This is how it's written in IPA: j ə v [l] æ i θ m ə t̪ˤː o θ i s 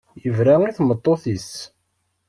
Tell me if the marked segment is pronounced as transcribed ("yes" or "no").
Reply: no